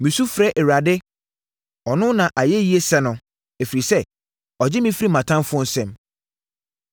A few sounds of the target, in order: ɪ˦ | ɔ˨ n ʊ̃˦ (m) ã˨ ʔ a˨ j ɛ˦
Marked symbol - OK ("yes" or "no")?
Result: no